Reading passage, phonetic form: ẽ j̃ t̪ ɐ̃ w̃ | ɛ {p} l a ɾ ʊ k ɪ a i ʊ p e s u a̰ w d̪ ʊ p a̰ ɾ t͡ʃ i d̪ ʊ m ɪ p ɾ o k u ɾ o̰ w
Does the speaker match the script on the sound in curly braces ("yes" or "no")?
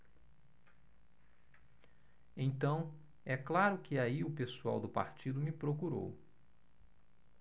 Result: no